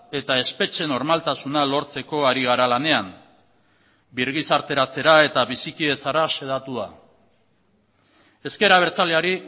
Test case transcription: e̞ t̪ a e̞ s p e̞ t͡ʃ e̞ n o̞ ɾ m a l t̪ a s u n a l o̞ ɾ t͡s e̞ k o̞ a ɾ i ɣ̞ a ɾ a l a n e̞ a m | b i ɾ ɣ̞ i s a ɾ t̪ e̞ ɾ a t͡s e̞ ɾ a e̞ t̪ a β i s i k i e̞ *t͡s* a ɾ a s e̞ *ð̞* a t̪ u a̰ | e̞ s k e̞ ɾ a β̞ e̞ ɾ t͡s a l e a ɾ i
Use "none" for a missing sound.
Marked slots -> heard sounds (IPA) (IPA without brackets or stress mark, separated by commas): t͡s, ð̞